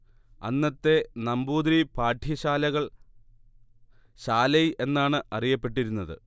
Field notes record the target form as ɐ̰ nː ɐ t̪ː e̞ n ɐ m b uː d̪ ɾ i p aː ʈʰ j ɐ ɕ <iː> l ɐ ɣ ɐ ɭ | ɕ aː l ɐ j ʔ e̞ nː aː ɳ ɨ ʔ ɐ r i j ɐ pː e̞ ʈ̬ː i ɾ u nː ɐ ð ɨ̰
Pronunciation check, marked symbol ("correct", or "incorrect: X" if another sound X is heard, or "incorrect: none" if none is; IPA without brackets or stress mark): incorrect: aː